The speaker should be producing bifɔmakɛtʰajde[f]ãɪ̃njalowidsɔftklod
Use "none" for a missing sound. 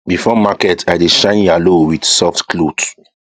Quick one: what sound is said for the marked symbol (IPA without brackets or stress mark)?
ʃ